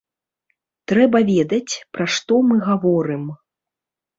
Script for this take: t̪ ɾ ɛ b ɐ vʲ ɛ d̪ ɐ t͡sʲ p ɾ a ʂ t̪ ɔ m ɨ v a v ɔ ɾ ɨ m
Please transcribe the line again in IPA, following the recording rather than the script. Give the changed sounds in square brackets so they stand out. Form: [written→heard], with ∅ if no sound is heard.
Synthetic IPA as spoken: t̪ ɾ ɛ b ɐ vʲ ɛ d̪ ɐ t͡sʲ p ɾ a ʂ t̪ ɔ m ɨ [v→ɣ] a v ɔ ɾ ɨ m